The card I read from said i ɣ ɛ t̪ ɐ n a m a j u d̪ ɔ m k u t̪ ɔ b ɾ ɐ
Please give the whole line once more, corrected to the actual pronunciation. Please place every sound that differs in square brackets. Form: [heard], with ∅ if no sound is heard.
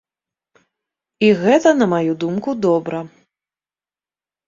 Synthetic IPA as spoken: i ɣ ɛ t̪ ɐ n [ɐ] m a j u d̪ [u] m k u [d̪] ɔ b ɾ ɐ